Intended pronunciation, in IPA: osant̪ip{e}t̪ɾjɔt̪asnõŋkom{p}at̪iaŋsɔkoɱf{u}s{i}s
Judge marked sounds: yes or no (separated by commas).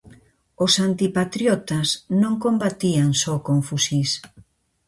no, no, yes, yes